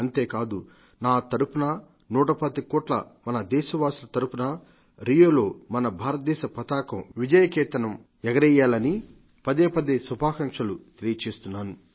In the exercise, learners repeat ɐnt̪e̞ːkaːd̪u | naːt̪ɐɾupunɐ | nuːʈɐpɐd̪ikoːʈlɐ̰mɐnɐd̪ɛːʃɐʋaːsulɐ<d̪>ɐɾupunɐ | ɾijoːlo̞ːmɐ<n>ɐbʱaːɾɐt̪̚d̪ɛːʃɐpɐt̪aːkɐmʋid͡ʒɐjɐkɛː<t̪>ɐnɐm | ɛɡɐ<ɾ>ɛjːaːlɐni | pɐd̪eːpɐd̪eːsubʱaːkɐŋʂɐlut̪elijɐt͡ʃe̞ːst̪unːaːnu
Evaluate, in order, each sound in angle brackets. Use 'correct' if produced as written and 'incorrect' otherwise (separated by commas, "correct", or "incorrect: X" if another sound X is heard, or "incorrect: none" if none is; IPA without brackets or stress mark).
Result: incorrect: t̪, correct, correct, correct